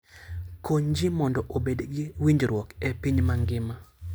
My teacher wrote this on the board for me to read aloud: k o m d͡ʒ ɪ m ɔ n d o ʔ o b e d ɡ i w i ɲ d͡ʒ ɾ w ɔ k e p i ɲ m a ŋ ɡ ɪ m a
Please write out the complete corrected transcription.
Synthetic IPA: k o ɲ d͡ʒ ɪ m ɔ n d ɔ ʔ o b e d ɡ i w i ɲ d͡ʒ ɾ w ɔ k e p i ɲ m a ŋ ɡ ɪ m a